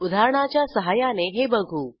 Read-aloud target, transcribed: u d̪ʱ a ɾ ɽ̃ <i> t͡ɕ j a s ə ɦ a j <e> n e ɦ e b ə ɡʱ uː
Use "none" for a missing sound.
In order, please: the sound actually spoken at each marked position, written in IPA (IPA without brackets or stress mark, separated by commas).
a, a